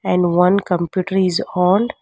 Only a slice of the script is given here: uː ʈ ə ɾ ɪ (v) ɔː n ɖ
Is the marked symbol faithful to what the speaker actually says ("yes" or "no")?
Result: no